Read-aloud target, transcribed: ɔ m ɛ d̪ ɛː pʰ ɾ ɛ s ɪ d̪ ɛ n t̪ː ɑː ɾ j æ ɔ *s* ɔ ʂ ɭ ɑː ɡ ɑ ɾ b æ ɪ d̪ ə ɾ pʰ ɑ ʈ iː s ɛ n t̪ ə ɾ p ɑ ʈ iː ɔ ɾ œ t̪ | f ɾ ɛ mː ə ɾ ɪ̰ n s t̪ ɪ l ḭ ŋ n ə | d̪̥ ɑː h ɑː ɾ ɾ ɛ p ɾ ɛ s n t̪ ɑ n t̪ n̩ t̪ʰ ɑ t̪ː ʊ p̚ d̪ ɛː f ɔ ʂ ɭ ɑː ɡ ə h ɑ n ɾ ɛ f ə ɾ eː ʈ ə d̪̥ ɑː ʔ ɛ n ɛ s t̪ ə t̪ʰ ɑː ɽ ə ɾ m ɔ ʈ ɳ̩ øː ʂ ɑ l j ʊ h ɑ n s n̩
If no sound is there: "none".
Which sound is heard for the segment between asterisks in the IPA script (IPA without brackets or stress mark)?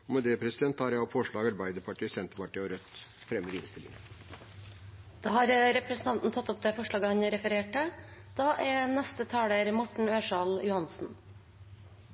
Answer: f